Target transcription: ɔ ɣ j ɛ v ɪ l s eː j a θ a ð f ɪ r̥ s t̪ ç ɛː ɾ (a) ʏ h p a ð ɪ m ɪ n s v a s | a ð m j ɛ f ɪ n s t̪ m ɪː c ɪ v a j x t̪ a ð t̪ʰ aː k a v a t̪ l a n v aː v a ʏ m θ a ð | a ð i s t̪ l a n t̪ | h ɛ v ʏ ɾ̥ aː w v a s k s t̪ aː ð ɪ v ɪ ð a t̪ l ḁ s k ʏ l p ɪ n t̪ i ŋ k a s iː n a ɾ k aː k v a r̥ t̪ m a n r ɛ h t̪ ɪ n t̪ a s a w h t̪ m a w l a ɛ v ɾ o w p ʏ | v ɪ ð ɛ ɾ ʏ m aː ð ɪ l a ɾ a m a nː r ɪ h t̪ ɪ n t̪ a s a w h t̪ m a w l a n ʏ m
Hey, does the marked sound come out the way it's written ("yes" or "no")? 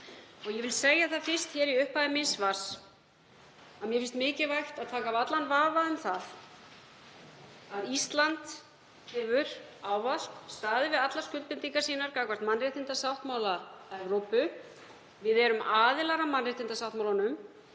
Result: no